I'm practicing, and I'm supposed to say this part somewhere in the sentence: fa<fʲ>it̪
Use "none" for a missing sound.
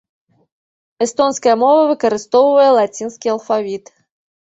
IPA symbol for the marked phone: vʲ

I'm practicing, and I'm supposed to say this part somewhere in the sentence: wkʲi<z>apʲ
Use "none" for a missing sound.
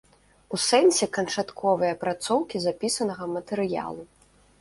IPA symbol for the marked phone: z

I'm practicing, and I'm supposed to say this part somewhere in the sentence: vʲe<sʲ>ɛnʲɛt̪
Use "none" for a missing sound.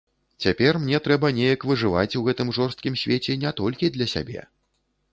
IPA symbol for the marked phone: t͡sʲ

